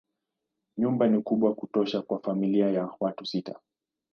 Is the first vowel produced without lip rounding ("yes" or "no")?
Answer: no